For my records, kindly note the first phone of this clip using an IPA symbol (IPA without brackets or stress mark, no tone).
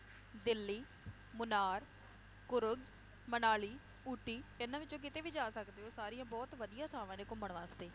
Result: d̪